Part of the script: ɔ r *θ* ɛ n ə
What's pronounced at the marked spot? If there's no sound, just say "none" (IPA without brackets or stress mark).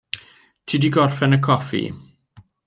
f